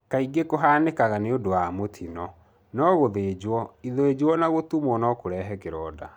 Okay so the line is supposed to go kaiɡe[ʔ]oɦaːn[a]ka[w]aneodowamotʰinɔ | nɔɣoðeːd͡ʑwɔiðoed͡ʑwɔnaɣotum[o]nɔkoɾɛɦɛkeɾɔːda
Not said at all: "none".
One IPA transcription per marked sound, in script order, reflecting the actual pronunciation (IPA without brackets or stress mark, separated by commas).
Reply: k, e, ɣ, ɔ